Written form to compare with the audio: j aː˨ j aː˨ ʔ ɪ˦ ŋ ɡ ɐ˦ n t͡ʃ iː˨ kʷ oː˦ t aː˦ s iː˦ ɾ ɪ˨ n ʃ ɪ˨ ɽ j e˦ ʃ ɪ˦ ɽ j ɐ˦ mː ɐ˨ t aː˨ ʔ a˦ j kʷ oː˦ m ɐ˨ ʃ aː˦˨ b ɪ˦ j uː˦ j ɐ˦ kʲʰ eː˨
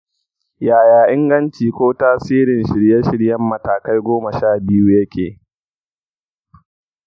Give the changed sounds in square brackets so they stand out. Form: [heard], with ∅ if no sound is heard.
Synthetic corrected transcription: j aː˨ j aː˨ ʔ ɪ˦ ŋ ɡ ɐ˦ n t͡ʃ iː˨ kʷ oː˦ t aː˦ s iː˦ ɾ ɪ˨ n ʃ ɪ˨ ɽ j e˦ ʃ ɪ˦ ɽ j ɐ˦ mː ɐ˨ t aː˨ [k] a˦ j [ɡʷ] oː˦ m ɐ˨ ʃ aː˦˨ b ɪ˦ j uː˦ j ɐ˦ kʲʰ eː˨

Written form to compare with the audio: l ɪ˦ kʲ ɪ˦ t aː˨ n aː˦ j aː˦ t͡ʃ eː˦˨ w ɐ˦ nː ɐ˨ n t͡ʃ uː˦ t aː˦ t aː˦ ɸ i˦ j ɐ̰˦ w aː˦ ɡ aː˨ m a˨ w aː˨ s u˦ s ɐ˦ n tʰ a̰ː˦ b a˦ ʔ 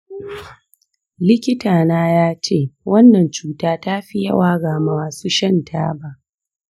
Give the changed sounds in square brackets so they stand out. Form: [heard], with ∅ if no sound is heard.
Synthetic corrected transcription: l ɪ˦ kʲ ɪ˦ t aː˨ n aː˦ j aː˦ t͡ʃ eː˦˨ w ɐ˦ nː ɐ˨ n t͡ʃ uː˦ t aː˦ t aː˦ ɸ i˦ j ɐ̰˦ w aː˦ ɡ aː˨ m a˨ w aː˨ s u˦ [ʃ] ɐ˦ n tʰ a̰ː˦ b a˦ ʔ

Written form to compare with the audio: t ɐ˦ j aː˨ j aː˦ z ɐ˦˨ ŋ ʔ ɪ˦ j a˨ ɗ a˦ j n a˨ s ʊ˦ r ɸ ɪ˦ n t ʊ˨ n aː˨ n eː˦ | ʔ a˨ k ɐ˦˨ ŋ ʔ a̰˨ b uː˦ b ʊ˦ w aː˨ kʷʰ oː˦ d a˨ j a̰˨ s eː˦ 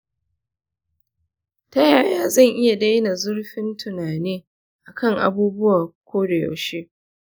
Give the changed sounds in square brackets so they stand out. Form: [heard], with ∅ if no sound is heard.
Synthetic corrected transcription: t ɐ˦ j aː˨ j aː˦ z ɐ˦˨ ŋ ʔ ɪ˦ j a˨ [d] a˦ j n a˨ [z] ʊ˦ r ɸ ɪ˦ n t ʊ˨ n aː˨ n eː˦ | ʔ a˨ k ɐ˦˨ ŋ ʔ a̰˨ b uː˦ b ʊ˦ w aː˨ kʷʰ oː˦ d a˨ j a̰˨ [ʃ] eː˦

